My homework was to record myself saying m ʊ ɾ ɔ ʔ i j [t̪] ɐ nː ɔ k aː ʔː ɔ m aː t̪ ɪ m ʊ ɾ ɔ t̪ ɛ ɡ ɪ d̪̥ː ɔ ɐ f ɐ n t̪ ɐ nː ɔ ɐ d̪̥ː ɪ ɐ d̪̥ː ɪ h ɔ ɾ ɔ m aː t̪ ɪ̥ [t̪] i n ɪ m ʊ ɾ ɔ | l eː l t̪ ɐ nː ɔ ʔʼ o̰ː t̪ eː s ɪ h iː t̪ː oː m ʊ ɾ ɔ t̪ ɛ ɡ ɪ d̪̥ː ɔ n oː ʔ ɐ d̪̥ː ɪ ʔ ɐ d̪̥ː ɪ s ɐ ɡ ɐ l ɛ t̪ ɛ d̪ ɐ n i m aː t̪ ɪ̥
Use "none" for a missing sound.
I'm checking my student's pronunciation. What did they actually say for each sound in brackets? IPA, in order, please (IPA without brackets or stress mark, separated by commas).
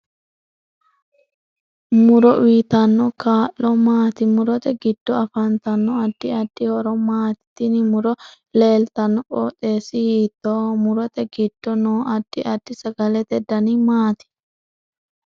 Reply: t̪, t̪